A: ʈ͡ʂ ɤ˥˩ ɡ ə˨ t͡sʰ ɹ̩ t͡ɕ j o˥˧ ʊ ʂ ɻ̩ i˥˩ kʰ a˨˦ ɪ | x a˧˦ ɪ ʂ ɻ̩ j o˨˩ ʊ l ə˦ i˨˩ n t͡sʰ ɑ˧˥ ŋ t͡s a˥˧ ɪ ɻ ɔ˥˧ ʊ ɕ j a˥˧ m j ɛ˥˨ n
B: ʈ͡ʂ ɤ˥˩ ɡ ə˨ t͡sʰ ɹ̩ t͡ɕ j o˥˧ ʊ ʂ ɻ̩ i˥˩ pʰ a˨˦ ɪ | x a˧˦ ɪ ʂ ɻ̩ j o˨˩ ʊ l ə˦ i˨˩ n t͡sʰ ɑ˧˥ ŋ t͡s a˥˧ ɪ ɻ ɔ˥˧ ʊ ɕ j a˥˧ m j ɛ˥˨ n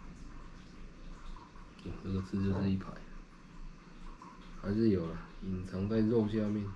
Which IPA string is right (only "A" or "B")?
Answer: B